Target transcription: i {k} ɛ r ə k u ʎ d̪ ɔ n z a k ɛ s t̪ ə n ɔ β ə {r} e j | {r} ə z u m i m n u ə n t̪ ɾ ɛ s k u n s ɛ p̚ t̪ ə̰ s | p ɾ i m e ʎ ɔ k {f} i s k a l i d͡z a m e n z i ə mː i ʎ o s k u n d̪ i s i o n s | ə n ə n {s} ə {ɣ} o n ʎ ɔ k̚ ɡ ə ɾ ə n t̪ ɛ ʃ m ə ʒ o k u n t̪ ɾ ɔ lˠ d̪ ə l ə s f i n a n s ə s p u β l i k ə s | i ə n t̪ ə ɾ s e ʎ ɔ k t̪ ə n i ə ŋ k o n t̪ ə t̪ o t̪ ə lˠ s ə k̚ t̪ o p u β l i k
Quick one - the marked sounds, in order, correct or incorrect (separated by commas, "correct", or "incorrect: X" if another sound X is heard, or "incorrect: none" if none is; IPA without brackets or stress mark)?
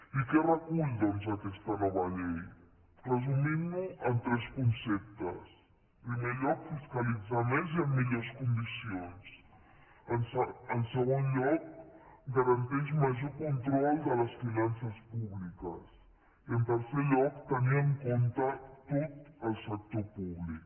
correct, incorrect: ʎ, correct, correct, correct, correct